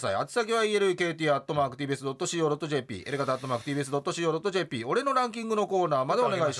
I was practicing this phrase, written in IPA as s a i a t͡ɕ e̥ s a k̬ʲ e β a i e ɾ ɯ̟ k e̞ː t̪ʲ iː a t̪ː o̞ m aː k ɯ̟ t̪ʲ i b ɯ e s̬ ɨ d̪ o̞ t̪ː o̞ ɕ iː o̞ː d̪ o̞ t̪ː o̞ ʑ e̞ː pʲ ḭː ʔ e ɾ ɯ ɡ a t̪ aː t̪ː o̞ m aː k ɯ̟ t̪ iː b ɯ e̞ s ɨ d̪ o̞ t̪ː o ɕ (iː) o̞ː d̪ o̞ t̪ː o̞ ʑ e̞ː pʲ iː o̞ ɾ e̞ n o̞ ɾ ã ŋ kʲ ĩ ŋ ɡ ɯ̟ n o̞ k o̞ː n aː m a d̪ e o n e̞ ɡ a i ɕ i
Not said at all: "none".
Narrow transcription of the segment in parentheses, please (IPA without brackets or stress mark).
iː